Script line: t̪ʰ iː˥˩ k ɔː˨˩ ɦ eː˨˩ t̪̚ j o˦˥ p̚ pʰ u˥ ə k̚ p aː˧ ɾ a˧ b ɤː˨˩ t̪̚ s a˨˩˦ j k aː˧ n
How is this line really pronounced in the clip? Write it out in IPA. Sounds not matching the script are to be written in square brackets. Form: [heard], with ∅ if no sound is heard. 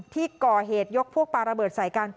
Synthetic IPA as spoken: t̪ʰ iː˥˩ k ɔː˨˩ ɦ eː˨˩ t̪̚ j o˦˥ [k̚] pʰ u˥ ə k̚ p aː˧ ɾ a˧ b ɤː˨˩ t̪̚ s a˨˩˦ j k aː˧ n